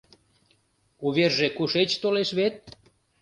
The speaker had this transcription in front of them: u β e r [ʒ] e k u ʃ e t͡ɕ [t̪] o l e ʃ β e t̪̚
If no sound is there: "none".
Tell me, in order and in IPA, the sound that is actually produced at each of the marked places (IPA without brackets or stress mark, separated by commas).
ʒ, t̪